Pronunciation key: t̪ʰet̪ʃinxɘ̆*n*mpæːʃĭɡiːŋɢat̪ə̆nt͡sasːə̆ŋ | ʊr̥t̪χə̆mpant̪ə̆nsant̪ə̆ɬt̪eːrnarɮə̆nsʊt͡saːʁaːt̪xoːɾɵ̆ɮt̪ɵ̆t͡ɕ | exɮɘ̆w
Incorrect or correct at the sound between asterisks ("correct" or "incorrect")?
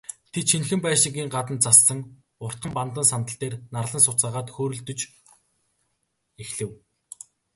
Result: incorrect